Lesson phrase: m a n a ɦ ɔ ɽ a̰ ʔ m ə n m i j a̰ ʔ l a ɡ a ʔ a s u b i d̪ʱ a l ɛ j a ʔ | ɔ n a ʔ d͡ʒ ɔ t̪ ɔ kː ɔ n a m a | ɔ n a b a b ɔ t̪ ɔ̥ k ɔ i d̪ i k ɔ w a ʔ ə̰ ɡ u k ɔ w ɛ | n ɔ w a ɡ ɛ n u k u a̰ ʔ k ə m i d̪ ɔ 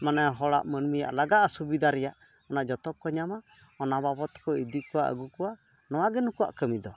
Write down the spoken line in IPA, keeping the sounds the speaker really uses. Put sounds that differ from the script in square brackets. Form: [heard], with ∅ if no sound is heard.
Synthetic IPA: m a n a ɦ ɔ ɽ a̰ ʔ m ə n m i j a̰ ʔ l a ɡ a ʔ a s u b i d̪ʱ a [ɾ] ɛ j a ʔ | ɔ n a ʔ d͡ʒ ɔ t̪ ɔ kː ɔ [ɲ] a m a | ɔ n a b a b ɔ t̪ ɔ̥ k ɔ i d̪ i k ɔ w a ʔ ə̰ ɡ u k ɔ w [a] | n ɔ w a ɡ ɛ n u k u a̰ ʔ k ə m i d̪ ɔ